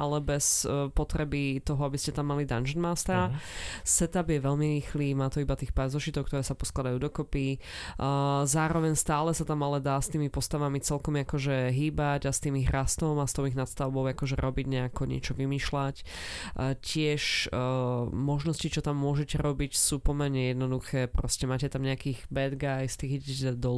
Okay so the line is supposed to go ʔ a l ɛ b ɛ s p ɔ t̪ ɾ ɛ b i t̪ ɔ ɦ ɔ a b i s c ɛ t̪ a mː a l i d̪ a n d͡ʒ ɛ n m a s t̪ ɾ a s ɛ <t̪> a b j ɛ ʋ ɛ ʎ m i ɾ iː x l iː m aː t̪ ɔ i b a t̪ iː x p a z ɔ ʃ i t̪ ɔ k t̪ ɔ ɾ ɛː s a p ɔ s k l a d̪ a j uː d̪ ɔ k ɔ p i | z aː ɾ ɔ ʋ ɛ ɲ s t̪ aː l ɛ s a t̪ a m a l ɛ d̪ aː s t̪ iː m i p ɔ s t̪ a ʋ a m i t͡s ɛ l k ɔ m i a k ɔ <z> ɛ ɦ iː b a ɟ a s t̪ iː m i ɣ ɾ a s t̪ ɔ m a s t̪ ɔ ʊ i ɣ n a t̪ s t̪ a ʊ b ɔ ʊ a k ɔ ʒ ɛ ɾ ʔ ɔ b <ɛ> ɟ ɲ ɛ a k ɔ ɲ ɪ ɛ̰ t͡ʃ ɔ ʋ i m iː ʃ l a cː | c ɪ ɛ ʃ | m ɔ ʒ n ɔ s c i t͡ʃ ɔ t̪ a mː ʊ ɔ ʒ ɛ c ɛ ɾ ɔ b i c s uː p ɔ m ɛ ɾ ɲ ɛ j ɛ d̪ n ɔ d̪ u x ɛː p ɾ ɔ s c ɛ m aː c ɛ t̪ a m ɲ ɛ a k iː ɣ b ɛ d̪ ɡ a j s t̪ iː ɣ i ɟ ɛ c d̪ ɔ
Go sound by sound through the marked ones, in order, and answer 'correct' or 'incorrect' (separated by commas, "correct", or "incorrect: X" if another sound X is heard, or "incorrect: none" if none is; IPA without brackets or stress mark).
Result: correct, incorrect: ʒ, incorrect: i